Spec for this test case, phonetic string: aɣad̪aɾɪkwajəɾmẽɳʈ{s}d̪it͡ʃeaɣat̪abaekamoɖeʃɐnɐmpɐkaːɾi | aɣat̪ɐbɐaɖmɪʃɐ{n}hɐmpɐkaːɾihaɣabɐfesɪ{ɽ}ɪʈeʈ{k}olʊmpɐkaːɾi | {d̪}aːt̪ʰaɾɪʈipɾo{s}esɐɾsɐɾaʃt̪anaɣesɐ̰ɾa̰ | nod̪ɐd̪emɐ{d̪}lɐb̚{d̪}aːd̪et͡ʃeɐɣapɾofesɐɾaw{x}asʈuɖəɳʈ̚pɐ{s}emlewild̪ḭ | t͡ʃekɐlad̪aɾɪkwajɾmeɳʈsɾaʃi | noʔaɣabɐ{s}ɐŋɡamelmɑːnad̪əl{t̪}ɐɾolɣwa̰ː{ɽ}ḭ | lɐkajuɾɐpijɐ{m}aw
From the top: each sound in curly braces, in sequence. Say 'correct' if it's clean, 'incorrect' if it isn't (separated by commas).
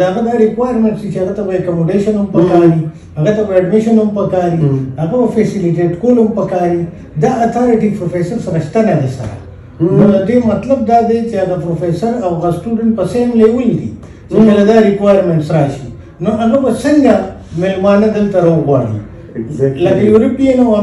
correct, correct, incorrect, correct, correct, incorrect, incorrect, correct, incorrect, correct, correct, correct, correct, incorrect